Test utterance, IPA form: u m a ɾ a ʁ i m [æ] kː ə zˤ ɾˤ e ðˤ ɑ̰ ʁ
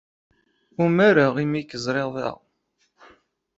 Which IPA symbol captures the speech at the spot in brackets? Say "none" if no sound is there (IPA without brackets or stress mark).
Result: i